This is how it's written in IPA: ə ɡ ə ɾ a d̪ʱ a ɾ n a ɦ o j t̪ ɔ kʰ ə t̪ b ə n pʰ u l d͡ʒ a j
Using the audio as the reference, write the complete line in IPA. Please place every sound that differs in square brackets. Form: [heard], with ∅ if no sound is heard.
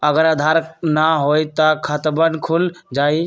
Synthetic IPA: ə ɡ ə ɾ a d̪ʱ a ɾ n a ɦ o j t̪ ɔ kʰ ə t̪ b ə n [kʰ] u l d͡ʒ a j